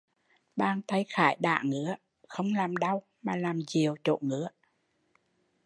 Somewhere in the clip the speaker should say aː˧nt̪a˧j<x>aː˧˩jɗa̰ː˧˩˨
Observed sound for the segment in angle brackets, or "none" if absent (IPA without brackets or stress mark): x